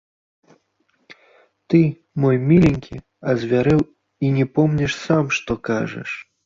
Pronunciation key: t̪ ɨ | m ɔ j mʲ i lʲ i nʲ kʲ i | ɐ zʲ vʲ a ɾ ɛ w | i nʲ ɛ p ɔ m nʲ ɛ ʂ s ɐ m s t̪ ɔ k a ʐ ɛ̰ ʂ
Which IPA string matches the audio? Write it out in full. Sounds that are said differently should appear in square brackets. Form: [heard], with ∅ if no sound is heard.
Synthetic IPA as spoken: t̪ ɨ | m ɔ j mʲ i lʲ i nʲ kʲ i | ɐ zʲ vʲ a ɾ ɛ w | i nʲ ɛ p ɔ m nʲ ɛ ʂ s [a] m [ʂ] t̪ ɔ k a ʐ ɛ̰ ʂ